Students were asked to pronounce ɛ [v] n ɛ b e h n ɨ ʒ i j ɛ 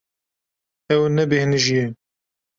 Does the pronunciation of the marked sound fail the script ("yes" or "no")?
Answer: yes